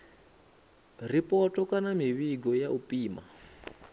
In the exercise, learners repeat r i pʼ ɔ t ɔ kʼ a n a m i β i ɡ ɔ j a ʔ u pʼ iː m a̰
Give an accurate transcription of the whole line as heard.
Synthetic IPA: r i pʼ ɔ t ɔ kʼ a n a m i β i ɡ ɔ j a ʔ u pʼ iː m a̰